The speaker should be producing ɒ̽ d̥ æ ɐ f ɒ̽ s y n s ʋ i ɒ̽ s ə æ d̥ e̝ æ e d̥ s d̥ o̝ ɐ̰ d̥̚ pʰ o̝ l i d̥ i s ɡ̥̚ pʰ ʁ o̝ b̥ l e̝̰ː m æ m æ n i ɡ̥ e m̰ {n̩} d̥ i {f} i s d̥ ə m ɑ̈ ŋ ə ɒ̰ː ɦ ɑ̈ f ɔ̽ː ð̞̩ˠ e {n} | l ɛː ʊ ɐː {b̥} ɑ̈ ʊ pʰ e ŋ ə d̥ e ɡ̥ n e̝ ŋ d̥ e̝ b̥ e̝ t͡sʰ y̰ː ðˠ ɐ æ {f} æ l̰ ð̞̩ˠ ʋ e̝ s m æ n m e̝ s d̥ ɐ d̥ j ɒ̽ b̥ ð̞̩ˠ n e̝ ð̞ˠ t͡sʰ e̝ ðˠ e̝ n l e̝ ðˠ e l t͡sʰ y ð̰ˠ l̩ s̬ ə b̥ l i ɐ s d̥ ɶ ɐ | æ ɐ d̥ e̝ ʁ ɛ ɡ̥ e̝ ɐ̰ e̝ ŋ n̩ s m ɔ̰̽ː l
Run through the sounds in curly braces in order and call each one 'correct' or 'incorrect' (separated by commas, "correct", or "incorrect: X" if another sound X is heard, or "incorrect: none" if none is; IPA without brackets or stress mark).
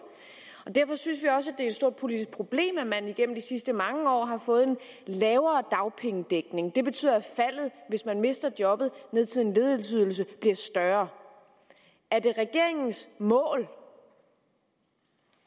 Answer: incorrect: m̩, incorrect: s, correct, incorrect: d̥, correct